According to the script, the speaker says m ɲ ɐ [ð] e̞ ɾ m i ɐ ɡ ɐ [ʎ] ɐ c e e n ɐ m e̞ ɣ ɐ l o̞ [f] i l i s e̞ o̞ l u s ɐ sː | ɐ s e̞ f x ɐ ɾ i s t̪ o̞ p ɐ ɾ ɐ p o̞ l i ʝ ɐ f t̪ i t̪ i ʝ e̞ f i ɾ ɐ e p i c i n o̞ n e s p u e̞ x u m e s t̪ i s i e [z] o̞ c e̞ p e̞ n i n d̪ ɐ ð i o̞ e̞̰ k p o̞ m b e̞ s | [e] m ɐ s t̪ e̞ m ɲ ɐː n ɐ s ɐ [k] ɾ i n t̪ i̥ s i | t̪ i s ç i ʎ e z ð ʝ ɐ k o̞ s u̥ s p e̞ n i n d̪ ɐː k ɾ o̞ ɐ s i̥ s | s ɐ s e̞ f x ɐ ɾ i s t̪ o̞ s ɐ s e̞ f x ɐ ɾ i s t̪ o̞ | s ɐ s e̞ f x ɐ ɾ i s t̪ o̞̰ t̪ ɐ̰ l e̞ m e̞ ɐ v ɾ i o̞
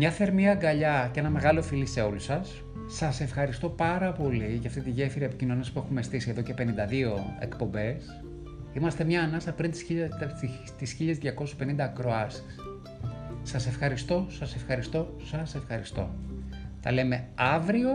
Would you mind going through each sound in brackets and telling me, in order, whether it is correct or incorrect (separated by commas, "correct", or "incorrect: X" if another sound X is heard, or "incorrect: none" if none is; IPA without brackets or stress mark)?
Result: incorrect: θ, correct, correct, incorrect: ð, incorrect: i, incorrect: p